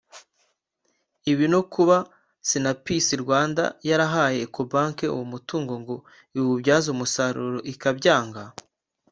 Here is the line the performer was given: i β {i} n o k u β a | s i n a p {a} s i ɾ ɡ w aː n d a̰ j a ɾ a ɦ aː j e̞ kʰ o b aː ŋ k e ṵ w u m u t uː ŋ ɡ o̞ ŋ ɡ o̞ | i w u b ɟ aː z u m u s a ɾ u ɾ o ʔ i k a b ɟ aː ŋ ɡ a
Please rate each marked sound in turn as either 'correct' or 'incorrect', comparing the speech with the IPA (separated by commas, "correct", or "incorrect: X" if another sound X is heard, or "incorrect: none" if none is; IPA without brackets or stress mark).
correct, incorrect: i